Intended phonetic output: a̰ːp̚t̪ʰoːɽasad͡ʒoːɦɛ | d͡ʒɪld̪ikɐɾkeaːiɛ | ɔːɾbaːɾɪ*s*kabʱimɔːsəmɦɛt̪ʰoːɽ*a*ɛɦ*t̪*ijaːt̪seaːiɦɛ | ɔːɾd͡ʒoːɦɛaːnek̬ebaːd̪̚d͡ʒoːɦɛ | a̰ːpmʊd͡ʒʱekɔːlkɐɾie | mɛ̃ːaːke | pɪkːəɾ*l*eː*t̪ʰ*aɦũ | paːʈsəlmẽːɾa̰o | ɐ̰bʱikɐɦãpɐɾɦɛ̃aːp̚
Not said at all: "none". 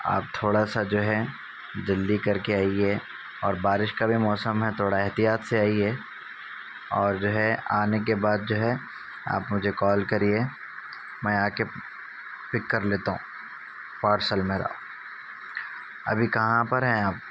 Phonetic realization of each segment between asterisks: ʃ, a, t̪, l, t̪

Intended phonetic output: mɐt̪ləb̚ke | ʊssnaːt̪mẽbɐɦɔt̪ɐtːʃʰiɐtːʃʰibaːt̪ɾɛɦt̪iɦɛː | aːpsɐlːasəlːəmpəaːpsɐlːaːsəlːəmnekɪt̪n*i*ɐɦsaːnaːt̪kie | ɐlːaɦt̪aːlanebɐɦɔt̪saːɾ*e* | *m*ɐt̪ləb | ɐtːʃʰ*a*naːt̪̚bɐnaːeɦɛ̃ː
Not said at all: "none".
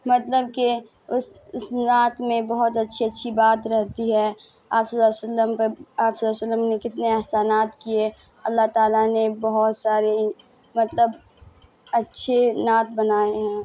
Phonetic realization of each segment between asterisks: e, e, m, e

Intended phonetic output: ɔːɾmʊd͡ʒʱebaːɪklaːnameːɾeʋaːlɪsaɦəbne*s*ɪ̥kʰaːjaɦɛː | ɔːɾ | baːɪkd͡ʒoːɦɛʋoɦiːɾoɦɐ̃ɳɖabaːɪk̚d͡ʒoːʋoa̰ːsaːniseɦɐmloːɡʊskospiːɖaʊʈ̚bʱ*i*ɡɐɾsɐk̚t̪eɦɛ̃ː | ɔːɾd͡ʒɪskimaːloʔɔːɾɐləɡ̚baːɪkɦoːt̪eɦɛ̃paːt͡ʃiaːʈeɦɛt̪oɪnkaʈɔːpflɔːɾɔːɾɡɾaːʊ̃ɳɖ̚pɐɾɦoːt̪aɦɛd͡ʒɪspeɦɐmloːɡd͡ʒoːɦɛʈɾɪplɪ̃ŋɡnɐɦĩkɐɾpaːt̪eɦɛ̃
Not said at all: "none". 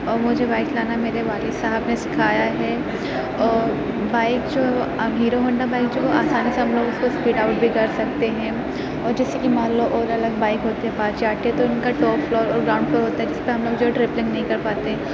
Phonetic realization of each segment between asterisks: s, i

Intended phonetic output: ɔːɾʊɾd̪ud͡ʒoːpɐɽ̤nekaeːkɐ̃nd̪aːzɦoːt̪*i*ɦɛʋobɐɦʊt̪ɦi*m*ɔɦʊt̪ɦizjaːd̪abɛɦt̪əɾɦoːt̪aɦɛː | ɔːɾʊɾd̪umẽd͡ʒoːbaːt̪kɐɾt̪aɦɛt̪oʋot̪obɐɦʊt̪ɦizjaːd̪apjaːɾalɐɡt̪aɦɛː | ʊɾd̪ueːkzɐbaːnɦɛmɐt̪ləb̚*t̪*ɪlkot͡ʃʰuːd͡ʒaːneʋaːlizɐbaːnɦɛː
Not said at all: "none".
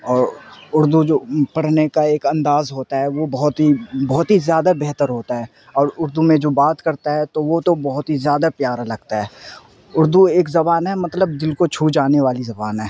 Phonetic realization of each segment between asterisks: a, b, d̪

